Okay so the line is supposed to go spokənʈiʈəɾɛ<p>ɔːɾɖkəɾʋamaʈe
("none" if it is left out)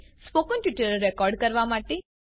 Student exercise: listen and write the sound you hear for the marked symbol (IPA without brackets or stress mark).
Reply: k